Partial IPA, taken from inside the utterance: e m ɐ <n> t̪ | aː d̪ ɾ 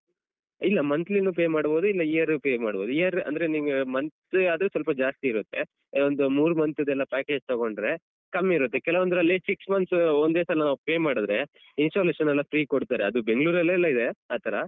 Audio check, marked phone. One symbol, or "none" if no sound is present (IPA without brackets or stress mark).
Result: n